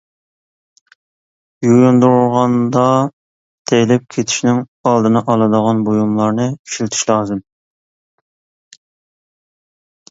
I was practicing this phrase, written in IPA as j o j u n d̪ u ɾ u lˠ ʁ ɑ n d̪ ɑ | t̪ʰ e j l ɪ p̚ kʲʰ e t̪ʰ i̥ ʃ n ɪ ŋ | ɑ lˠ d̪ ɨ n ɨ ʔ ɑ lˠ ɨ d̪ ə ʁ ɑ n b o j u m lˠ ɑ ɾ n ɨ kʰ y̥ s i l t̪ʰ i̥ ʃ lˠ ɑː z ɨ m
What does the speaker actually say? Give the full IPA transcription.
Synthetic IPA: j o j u n d̪ u ɾ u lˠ ʁ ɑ n d̪ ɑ | t̪ʰ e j l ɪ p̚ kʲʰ e t̪ʰ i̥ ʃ n ɪ ŋ | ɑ lˠ d̪ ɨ n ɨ ʔ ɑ lˠ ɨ d̪ ə ʁ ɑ n b o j u m lˠ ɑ ɾ n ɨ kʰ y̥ ʃ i l t̪ʰ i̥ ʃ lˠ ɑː z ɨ m